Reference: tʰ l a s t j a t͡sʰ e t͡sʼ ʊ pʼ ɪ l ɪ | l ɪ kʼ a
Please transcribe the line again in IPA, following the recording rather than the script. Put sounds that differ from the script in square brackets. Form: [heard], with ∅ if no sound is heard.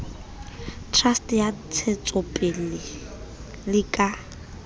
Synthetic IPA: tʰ [r] a s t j a t͡sʰ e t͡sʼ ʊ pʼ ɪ l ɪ | l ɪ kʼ a